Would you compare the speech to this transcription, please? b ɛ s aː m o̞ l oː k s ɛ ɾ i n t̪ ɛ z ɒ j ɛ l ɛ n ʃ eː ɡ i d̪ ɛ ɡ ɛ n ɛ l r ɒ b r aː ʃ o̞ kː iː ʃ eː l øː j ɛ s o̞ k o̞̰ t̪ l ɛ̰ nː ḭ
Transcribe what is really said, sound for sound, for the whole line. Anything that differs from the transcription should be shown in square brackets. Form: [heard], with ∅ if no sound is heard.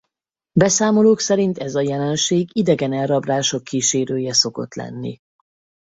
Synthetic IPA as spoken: b ɛ s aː m o̞ l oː k s ɛ ɾ i n t̪ ɛ z ɒ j ɛ l ɛ n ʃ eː ɡ i d̪ ɛ ɡ ɛ n ɛ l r ɒ b r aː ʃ o̞ kː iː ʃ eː [ɾ] øː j ɛ s o̞ k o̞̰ t̪ l ɛ̰ nː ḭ